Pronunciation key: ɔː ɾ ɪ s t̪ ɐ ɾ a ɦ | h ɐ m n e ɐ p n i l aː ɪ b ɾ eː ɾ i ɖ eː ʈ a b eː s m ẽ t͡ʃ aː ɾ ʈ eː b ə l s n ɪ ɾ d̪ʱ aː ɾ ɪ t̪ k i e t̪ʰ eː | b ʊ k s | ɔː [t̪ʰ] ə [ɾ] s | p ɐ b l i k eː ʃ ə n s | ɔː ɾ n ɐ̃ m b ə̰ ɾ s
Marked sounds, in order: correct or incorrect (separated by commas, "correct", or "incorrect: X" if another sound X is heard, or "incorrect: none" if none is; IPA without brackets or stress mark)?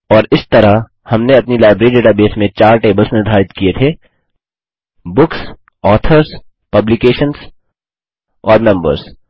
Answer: correct, correct